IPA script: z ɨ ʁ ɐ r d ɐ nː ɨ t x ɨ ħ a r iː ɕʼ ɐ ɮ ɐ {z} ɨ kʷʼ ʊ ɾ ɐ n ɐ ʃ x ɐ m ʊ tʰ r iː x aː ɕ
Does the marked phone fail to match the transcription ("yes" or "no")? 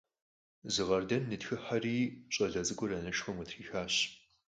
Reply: no